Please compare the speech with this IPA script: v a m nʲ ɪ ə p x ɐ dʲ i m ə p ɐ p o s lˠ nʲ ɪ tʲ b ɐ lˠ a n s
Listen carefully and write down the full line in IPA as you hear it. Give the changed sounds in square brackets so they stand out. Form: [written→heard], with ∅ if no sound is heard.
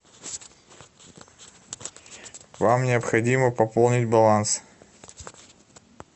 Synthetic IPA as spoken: v a m nʲ ɪ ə p x ɐ dʲ i m ə p ɐ p o [s→∅] lˠ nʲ ɪ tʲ b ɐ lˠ a n s